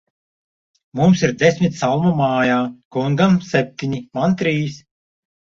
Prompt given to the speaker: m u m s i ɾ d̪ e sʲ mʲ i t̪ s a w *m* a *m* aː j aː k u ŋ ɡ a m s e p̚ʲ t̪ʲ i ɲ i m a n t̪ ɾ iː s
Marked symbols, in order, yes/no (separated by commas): yes, yes